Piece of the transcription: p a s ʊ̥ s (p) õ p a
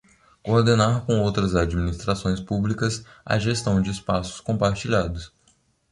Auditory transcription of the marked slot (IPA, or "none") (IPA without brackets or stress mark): k